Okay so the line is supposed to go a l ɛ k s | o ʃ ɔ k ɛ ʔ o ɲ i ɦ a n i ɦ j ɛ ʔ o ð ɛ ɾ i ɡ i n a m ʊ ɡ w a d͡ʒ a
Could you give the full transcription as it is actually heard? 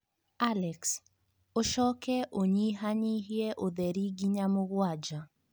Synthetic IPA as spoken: a l ɛ k s | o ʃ ɔ k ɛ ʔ o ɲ i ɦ a ɲ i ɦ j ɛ ʔ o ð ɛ ɾ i ɡ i ɲ a m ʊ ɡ w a d͡ʒ a